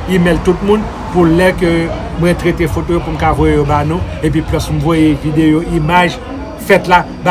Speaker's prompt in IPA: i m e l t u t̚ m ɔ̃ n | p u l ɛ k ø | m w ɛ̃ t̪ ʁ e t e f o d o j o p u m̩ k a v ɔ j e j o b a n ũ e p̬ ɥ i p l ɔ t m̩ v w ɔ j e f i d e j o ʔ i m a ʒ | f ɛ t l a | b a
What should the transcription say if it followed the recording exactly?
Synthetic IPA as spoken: i m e l t u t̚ m ũ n | p u l ɛ k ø | m w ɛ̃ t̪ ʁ e t e f o t o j o p u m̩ k a v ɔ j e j o b a n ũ e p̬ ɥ i p l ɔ s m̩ v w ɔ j e v i d e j o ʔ i m a ʒ | f ɛ t l a | b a